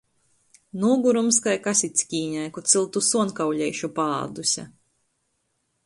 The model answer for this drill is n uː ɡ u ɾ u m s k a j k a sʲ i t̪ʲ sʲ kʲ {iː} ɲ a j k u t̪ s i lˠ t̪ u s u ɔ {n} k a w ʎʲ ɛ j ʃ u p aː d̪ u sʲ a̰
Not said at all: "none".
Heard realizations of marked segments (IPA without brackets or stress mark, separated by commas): iː, n